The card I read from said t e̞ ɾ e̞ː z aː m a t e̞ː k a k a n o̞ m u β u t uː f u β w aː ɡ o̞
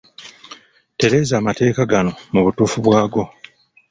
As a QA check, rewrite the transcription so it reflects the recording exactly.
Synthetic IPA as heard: t e̞ ɾ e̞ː z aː m a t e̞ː k a ɡ a n o̞ m u β u t uː f u β w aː ɡ o̞